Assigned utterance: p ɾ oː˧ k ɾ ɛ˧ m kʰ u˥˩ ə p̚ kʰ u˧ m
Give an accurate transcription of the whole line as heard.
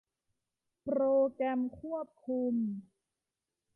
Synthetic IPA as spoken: p ɾ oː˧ k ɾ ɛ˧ m kʰ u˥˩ ə p̚ kʰ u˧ m